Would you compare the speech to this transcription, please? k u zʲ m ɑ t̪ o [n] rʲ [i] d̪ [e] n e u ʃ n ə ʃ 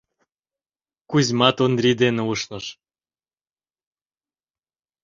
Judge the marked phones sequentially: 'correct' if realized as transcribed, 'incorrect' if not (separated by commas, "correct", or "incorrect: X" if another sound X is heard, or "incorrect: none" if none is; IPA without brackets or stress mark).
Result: correct, correct, correct